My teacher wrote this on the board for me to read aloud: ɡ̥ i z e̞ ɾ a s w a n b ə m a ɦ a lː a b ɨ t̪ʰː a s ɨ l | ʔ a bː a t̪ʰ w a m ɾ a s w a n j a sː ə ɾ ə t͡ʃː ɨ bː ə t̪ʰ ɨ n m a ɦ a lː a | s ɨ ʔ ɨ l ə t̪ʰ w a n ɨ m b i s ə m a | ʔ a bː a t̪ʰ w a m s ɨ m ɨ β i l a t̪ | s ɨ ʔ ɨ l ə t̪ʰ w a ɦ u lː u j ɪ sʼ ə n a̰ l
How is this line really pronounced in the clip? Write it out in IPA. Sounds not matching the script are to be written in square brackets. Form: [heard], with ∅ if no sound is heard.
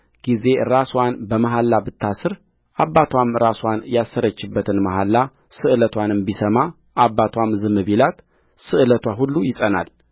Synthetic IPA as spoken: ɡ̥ i z e̞ ɾ a s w a n b ə m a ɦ a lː a b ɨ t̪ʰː a s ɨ [ɾ] | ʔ a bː a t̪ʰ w a m ɾ a s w a n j a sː ə ɾ ə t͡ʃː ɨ bː ə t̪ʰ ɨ n m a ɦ a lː a | s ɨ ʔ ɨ l ə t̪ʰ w a n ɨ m b i s ə m a | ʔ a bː a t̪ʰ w a m [z] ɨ m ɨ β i l a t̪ | s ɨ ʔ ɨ l ə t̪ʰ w a ɦ u lː u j ɪ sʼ ə n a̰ l